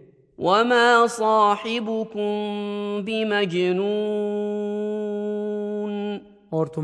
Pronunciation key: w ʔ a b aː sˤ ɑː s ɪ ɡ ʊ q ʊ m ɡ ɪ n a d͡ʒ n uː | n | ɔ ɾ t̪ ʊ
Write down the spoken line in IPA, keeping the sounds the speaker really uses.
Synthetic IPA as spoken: w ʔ a m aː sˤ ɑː ħ ɪ b ʊ k ʊ m b ɪ m a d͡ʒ n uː | n | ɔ ɾ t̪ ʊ